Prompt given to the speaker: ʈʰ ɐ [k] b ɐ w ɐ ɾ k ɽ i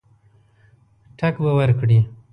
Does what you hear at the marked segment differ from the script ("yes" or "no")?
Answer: no